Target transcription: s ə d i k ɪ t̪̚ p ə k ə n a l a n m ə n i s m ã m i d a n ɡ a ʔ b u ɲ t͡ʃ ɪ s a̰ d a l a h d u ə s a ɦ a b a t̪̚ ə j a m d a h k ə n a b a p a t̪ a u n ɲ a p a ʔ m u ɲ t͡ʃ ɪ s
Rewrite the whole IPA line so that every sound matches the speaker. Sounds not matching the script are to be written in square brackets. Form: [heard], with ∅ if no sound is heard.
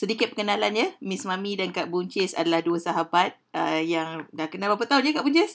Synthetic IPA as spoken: s ə d i k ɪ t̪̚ p ə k ə n a l a n [ɲ] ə [m] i s m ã m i d a n [k] a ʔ b u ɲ t͡ʃ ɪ s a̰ d a l a h d u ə s a ɦ a b a t̪̚ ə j a [ŋ] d a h k ə n a b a p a t̪ a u n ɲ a [k] a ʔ [b] u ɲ t͡ʃ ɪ s